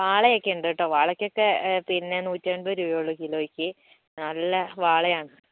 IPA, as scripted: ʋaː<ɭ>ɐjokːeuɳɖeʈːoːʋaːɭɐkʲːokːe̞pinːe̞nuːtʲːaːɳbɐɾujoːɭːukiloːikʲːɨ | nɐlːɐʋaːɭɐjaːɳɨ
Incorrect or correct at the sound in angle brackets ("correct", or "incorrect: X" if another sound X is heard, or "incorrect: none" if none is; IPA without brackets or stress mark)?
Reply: correct